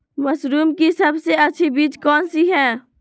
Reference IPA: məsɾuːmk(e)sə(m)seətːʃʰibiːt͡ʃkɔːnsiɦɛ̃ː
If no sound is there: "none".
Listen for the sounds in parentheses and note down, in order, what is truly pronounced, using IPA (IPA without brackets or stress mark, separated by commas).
i, b